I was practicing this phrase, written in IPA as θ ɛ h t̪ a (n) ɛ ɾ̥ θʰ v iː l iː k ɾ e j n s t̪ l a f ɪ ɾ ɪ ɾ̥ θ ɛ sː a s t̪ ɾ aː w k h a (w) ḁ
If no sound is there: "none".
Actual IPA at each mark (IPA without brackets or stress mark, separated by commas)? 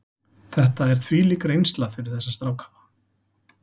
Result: none, v